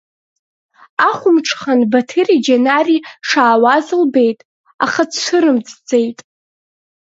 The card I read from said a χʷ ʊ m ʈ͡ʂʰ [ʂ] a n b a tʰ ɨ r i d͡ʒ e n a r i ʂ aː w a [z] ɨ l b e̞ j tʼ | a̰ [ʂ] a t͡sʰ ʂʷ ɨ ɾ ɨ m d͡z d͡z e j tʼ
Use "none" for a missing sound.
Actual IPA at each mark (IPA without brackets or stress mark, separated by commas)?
χ, z, χ